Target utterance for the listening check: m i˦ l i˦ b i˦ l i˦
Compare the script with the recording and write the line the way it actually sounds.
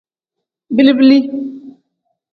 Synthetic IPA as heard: b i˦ l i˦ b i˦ l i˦